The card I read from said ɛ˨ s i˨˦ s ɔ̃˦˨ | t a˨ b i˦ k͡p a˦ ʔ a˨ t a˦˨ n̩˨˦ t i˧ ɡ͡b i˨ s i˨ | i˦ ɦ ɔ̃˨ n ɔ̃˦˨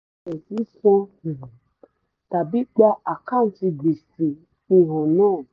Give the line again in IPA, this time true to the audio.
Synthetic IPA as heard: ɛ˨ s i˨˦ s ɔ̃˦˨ | t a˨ b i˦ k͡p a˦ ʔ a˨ k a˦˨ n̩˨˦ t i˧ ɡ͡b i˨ s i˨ | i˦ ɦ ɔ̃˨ n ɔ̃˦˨

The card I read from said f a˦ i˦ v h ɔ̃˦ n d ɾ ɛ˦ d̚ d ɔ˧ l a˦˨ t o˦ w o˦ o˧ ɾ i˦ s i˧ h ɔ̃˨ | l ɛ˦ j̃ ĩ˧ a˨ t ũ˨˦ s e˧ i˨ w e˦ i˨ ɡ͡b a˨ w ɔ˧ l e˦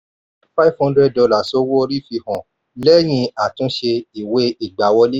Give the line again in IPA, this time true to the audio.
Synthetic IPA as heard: f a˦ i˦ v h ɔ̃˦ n d ɾ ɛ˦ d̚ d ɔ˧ l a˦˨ s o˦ w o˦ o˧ ɾ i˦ f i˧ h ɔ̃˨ | l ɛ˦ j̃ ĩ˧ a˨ t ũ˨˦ ʃ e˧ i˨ w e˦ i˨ ɡ͡b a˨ w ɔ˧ l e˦

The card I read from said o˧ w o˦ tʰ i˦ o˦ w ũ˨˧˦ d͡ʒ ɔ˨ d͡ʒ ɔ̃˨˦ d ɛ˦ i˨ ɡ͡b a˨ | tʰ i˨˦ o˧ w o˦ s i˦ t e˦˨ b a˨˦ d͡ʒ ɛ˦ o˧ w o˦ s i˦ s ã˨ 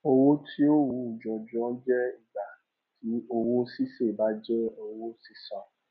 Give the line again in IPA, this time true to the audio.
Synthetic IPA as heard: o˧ w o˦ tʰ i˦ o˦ w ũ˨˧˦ d͡ʒ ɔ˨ d͡ʒ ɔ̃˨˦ d͡ʒ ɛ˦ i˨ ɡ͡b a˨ | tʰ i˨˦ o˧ w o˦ s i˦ s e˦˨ b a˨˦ d͡ʒ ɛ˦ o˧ w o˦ s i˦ s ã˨

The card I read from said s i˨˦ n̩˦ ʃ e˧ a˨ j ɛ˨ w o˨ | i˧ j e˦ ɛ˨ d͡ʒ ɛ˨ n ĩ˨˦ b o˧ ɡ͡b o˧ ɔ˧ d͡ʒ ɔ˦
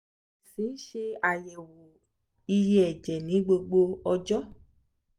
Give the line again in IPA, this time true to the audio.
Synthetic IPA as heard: s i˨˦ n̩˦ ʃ e˧ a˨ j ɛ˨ w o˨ | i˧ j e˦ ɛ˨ d͡ʒ ɛ˨ n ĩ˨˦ ɡ͡b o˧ ɡ͡b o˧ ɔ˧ d͡ʒ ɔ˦

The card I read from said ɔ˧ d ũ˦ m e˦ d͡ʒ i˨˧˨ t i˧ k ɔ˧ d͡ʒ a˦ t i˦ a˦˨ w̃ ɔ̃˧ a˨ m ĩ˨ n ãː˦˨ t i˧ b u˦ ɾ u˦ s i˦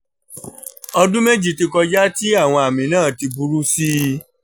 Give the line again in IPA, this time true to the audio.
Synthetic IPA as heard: ɔ˧ d ũ˦ m e˦ d͡ʒ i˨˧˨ t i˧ k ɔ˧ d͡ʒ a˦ t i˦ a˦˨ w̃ ɔ̃˧ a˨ m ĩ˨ n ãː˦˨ t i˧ b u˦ ɾ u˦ s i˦

